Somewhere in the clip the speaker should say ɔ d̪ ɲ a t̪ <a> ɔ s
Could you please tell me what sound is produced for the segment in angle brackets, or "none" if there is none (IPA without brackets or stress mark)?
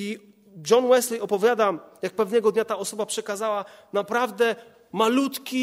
a